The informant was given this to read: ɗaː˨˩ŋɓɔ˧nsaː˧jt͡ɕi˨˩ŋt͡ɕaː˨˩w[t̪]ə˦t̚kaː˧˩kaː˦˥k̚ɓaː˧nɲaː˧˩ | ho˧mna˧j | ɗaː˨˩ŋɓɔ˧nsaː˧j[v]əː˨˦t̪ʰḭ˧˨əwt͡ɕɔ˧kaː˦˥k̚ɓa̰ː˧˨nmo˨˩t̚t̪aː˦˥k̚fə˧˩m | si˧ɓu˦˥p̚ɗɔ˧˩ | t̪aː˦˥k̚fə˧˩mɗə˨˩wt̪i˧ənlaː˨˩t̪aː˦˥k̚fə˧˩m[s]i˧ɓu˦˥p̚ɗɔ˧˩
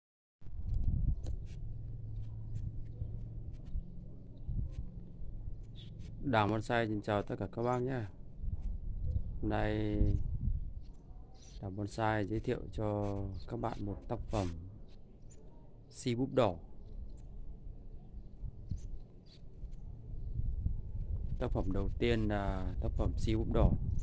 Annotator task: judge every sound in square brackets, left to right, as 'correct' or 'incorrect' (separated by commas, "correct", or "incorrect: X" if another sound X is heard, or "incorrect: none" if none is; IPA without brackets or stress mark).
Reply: correct, incorrect: z, correct